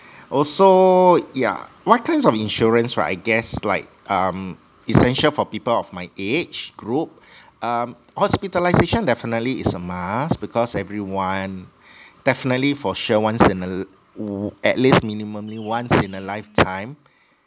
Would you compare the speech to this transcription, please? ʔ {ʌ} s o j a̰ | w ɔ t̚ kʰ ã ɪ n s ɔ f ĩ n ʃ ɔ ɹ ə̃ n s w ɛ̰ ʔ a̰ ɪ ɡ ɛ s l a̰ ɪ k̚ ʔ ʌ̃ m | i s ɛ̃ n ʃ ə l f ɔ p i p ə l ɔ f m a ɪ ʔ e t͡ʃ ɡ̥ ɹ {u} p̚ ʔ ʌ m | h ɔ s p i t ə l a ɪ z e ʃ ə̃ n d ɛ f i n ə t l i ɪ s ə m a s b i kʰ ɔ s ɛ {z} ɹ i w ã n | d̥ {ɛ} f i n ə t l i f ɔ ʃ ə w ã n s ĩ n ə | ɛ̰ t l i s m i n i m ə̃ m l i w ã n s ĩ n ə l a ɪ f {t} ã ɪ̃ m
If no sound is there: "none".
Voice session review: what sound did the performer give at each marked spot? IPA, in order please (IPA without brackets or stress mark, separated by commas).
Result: ɔ, u, v, ɛ, tʰ